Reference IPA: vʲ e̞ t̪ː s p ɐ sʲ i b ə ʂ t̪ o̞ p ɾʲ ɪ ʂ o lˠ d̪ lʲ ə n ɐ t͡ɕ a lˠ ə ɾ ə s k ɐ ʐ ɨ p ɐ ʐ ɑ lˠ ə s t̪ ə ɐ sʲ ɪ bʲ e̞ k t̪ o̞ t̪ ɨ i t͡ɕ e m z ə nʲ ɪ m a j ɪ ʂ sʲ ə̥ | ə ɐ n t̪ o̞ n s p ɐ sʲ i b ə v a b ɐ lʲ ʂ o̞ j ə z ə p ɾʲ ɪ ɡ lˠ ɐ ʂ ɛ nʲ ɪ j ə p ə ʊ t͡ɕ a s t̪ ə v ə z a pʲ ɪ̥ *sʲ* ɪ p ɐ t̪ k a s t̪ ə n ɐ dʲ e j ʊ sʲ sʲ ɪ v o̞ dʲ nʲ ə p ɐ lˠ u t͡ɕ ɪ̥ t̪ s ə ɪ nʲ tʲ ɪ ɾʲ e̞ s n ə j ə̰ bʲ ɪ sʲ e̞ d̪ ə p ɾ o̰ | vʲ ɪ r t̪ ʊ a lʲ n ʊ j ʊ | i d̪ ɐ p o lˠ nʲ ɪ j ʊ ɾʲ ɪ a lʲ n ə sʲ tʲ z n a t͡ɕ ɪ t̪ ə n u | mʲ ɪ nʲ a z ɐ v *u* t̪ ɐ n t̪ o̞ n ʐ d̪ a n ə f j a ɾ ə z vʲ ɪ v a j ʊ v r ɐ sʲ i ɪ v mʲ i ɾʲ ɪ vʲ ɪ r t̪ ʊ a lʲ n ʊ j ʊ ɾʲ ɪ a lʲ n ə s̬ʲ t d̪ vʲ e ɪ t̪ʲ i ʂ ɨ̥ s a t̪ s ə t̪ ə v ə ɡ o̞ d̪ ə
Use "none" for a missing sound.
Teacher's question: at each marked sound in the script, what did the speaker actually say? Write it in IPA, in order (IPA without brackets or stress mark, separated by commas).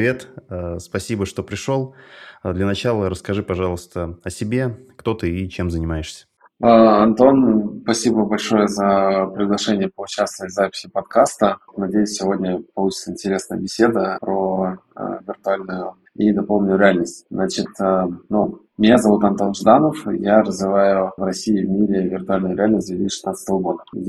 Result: sʲ, u